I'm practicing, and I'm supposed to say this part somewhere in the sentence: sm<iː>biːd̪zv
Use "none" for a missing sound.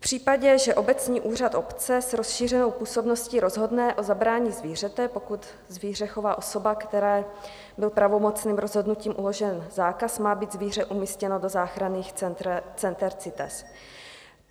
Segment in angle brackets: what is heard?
aː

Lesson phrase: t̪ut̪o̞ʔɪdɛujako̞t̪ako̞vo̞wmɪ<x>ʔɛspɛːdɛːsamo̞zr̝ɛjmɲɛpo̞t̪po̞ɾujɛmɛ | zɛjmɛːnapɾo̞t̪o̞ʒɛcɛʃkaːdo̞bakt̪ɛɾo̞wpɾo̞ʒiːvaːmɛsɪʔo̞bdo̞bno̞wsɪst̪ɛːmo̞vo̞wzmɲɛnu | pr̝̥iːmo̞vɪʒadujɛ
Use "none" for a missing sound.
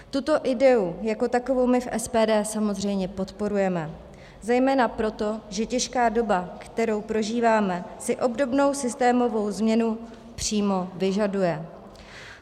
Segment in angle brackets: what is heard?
f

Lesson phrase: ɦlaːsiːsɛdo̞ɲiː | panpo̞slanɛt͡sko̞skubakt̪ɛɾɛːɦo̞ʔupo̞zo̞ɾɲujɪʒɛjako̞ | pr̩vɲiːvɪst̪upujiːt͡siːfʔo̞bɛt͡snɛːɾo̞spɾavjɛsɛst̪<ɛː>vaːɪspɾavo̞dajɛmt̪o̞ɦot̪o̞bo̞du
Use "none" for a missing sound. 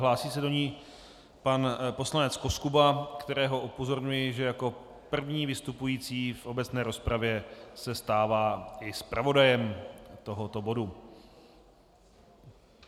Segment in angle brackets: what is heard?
aː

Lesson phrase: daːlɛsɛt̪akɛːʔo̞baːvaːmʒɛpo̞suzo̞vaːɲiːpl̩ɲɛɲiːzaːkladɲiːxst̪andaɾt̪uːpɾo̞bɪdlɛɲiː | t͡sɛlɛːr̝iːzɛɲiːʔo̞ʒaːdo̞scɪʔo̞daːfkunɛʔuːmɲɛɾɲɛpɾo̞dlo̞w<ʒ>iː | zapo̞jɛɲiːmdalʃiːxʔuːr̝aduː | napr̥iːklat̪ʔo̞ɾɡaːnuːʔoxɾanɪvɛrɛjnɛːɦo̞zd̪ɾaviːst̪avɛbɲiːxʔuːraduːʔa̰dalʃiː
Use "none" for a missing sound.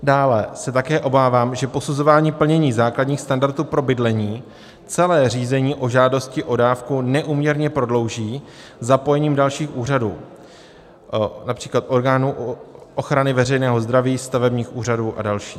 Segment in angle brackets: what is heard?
ʒ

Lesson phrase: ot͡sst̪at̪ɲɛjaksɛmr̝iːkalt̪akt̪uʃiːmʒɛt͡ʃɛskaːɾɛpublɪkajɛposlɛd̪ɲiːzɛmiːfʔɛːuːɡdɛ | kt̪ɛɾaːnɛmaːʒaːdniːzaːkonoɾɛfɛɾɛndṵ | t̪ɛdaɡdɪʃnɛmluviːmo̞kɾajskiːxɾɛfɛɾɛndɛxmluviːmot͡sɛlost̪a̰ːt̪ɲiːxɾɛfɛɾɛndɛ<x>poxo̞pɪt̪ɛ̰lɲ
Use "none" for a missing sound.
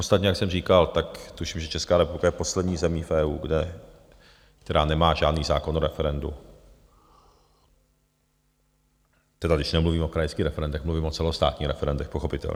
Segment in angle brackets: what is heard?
x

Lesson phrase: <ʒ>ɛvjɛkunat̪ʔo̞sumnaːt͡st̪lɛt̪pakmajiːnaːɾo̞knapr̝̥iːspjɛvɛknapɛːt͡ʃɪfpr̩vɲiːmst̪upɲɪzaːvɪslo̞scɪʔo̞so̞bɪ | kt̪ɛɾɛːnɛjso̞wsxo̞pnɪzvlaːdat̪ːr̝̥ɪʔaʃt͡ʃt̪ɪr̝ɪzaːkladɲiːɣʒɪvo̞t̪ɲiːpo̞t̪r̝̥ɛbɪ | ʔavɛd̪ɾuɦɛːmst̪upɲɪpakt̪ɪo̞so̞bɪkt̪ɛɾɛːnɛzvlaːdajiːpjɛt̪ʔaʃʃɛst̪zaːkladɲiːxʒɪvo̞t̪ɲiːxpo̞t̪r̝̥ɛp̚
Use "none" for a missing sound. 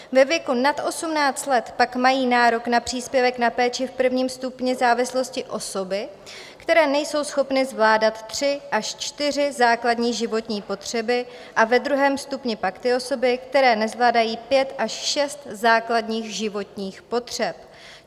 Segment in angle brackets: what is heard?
v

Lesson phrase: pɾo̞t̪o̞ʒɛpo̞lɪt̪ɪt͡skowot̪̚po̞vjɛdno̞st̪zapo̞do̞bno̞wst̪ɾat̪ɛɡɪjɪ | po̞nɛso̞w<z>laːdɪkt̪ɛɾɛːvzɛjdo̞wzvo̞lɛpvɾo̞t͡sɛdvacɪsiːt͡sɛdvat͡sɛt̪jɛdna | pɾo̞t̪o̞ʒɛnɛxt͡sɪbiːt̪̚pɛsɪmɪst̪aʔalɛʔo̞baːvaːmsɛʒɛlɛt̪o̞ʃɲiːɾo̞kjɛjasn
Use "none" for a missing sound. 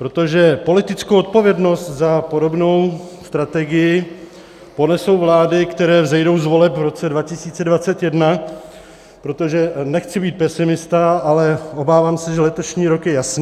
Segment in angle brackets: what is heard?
v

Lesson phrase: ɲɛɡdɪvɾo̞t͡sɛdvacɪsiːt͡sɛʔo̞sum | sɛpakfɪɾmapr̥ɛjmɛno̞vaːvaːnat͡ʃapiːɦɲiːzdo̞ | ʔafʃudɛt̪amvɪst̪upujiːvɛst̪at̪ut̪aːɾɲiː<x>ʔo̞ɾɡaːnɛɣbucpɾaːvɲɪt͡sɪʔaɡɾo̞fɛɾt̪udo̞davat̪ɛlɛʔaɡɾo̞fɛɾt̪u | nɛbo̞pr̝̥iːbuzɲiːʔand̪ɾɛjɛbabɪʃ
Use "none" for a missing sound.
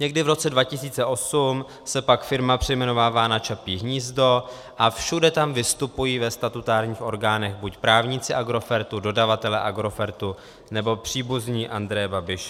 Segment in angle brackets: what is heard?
x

